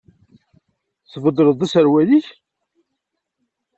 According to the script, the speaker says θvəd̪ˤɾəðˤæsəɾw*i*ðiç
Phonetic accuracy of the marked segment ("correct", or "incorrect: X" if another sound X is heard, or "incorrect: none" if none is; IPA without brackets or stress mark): incorrect: æ